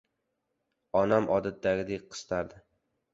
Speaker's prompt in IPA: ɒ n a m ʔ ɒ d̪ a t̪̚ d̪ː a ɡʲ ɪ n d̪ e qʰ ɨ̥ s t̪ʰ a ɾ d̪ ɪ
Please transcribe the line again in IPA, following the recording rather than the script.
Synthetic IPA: ɒ n a m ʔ ɒ d̪ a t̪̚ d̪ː a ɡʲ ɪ d̪ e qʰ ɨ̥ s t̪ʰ a ɾ d̪ ɪ